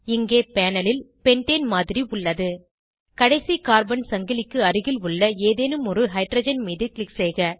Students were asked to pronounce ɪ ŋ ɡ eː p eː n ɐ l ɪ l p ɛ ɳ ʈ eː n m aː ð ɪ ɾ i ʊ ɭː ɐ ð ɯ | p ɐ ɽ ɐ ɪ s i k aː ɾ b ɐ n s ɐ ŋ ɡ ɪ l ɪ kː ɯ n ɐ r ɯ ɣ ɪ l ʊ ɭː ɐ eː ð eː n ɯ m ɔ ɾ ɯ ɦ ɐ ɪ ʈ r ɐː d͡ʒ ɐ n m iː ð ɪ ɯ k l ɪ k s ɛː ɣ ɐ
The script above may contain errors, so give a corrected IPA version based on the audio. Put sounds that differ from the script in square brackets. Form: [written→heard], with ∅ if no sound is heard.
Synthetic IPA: ɪ ŋ ɡ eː p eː n ɐ l ɪ l p ɛ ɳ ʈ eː n m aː ð ɪ ɾ i ʊ ɭː ɐ ð ɯ | [p→k] ɐ ɽ ɐ ɪ s i k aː ɾ b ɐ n s ɐ ŋ ɡ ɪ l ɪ kː ɯ [n→∅] ɐ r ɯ ɣ ɪ l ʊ ɭː ɐ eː ð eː n ɯ m ɔ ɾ ɯ ɦ ɐ ɪ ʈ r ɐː d͡ʒ ɐ n m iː ð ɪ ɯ k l ɪ k s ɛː ɣ ɐ